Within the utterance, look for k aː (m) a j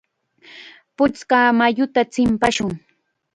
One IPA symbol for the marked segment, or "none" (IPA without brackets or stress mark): m